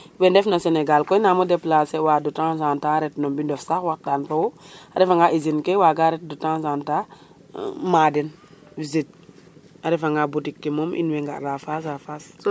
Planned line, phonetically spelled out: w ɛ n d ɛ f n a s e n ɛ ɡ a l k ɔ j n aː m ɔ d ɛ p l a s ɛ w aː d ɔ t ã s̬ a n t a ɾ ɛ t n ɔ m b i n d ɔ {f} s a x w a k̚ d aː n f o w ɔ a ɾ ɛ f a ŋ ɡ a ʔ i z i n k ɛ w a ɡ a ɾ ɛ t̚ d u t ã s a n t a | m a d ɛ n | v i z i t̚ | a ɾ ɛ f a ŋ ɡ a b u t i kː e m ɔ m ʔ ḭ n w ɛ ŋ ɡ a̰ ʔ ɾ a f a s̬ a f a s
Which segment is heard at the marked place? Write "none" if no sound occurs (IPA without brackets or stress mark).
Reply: f